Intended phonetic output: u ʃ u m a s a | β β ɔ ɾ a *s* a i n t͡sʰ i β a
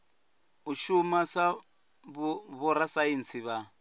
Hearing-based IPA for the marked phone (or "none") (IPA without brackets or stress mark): s